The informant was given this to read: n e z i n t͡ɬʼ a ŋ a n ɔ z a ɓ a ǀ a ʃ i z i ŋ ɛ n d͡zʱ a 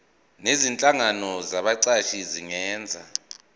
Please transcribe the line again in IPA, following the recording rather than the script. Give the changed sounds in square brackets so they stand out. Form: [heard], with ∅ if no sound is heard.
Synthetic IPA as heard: n e z i n t͡ɬʼ a ŋ a n ɔ z a ɓ a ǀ a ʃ i z i ŋ [ɛː] n d͡zʱ a